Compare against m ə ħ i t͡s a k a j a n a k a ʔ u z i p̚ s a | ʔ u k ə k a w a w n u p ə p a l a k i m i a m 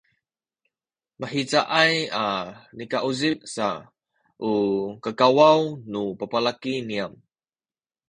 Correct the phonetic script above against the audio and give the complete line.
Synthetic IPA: m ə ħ i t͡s a ʔ a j a n i k a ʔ u z i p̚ s a | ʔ u k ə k a w a w n u p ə p a l a k i n i a m